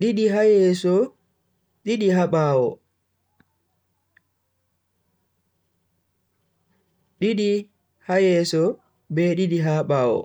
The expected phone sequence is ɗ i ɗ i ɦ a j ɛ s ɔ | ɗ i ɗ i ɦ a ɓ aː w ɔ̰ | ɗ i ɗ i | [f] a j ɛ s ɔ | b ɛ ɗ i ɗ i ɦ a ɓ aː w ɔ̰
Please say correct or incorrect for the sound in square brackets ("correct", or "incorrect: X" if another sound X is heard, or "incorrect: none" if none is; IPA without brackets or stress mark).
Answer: incorrect: h